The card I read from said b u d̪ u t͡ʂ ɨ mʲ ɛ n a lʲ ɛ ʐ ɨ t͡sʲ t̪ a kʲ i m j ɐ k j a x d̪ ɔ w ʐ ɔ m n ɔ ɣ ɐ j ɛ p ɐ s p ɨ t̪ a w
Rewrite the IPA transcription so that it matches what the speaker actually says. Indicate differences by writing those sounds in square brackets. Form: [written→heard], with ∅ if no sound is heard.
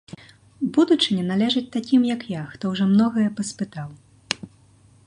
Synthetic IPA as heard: b u d̪ u t͡ʂ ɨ [mʲ→nʲ] ɛ n a lʲ ɛ ʐ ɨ t͡sʲ t̪ a kʲ i m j ɐ k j a x [d̪→t̪] ɔ w ʐ ɔ m n ɔ ɣ ɐ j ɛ p ɐ s p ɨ t̪ a w